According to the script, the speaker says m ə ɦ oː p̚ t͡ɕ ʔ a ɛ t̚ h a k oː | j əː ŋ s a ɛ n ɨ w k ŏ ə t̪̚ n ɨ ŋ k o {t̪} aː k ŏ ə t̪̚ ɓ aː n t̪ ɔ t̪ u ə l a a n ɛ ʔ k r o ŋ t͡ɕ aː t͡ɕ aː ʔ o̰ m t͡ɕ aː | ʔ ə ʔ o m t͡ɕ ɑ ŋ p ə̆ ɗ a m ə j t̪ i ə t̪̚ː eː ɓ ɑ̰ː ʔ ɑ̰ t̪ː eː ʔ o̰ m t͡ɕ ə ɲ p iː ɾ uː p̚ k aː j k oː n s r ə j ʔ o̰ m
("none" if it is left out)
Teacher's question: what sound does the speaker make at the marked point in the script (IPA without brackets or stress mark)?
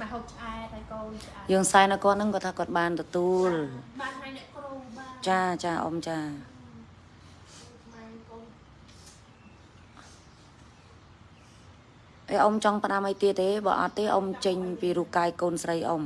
t̪ʰ